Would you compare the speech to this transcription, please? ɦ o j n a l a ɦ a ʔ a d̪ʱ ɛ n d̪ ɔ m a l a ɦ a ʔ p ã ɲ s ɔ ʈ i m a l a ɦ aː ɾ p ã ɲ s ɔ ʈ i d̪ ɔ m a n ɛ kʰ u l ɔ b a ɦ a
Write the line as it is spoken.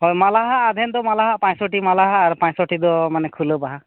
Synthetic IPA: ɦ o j m a l a ɦ a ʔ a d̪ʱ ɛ n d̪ ɔ m a l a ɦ a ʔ p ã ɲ s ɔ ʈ i m a l a ɦ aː ɾ p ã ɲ s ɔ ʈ i d̪ ɔ m a n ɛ kʰ u l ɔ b a ɦ a